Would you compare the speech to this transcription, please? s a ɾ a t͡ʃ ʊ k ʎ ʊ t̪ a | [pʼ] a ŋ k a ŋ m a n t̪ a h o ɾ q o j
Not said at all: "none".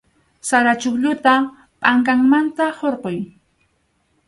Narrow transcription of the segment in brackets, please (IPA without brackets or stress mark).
pʼ